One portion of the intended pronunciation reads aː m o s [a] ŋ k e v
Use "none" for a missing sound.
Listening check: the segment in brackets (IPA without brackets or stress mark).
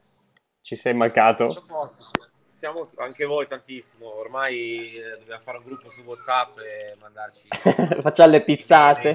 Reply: a